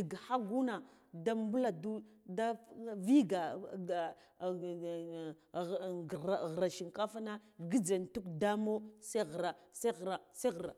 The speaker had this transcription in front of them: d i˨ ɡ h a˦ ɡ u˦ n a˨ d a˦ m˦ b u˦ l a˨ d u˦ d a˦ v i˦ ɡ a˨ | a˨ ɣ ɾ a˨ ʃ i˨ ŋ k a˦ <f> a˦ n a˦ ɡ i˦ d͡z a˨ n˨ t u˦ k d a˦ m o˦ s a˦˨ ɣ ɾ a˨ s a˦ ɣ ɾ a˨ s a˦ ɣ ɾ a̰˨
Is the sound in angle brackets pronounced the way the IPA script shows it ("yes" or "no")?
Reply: yes